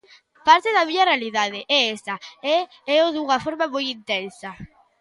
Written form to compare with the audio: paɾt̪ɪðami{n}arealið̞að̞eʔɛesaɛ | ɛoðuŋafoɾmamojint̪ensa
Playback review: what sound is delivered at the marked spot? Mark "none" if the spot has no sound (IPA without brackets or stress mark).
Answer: ɲ